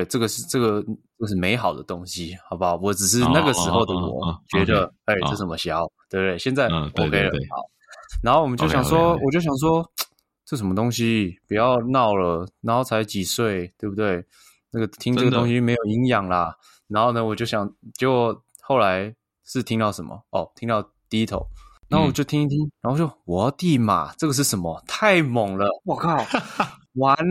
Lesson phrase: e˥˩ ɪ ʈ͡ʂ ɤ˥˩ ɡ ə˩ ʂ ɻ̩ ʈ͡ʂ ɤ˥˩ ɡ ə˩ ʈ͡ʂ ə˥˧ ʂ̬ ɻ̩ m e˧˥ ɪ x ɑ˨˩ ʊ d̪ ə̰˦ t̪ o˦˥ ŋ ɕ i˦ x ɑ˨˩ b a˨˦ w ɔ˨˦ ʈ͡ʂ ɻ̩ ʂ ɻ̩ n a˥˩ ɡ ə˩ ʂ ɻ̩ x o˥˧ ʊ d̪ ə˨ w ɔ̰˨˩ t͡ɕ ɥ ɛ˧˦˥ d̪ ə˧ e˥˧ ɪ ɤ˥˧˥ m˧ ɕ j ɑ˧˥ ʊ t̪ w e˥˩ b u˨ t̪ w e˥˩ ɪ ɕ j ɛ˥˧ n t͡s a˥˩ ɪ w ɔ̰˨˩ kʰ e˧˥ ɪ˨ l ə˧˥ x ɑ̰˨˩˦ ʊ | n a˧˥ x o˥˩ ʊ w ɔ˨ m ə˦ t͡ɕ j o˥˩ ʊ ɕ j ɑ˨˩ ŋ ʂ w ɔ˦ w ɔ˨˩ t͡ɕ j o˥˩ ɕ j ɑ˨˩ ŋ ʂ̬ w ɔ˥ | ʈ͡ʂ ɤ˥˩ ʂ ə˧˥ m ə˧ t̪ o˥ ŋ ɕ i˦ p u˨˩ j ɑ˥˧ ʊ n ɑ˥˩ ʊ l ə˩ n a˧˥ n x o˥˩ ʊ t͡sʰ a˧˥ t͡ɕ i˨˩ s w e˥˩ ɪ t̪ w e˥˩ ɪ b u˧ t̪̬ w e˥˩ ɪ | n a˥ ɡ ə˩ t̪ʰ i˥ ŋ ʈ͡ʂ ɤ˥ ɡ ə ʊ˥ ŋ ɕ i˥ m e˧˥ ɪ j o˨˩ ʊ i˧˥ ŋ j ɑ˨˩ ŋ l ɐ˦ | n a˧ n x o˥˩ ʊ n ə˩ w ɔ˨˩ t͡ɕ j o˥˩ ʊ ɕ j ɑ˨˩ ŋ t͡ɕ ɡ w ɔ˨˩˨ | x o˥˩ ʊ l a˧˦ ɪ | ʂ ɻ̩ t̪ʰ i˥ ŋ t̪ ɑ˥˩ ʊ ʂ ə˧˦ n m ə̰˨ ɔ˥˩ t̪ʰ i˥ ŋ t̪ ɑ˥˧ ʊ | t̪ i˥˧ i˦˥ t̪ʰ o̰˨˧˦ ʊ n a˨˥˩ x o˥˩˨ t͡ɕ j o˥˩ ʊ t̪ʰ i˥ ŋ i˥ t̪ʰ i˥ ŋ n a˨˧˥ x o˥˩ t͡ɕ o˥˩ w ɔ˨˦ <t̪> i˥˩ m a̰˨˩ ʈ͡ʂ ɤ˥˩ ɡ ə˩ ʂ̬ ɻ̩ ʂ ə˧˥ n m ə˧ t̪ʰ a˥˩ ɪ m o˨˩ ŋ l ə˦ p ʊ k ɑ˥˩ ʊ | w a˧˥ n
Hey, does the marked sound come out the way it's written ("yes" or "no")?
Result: yes